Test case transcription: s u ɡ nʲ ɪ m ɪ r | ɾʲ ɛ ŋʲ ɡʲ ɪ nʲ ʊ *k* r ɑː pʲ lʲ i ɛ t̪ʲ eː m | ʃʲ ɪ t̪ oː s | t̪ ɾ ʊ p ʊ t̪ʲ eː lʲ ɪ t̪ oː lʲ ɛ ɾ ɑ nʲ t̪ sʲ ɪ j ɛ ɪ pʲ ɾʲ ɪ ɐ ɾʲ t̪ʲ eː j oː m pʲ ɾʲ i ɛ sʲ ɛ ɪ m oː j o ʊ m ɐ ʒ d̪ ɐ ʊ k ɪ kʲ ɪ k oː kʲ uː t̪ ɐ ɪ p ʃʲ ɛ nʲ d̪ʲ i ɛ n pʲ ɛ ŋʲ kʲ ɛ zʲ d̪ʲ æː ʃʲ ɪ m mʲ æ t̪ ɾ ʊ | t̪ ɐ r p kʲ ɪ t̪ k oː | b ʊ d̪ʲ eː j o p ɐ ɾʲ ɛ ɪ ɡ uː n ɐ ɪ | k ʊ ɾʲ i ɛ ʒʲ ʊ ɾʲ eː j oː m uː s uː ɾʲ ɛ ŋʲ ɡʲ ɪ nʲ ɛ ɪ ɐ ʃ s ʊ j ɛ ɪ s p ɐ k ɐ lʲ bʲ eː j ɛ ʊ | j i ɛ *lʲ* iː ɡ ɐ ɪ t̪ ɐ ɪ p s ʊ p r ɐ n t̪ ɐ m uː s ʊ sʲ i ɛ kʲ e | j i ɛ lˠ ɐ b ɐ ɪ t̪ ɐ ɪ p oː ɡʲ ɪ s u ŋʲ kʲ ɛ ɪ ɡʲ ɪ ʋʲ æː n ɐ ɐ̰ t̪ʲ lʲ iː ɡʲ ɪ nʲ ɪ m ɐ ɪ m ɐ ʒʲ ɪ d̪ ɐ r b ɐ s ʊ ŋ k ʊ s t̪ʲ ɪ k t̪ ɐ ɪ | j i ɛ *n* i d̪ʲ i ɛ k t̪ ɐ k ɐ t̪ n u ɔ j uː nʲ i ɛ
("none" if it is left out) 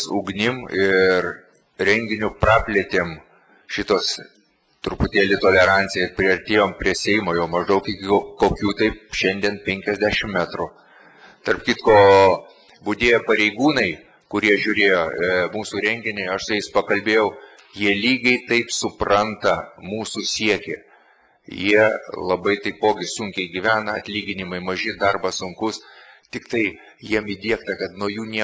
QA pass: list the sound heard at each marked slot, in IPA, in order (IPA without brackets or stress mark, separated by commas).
p, lʲ, m